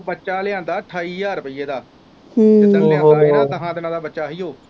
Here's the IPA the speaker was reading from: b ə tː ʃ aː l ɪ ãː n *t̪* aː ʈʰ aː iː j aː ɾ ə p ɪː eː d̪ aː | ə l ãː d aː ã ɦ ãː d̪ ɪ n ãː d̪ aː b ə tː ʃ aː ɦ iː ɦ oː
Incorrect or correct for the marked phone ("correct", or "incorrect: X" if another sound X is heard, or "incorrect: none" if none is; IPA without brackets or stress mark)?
incorrect: d̪